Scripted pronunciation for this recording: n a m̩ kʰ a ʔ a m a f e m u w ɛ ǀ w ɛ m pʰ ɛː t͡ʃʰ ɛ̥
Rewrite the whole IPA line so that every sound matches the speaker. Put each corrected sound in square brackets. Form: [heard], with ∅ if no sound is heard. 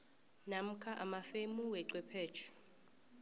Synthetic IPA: n a m̩ kʰ a ʔ a m a f e m u w ɛ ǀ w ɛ [∅] pʰ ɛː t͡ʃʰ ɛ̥